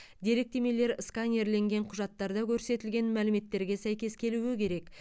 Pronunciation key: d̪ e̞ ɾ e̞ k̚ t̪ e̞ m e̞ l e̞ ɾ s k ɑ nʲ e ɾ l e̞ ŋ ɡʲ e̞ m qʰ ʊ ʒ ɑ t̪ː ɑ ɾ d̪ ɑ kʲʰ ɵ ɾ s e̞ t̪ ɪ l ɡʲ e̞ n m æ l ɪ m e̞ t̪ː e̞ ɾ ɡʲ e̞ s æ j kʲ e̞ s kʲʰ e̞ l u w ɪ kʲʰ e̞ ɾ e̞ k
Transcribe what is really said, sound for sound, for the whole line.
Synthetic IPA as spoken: d̪ e̞ ɾ e̞ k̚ t̪ e̞ m e̞ l e̞ ɾ s k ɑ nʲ e ɾ l e̞ ŋ ɡʲ e̞ ɴ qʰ ʊ ʒ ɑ t̪ː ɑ ɾ d̪ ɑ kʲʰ ɵ ɾ s e̞ t̪ ɪ l ɡʲ e̞ n m æ l ɪ m e̞ t̪ː e̞ ɾ ɡʲ e̞ s æ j kʲ e̞ s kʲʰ e̞ l u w ɪ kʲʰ e̞ ɾ e̞ k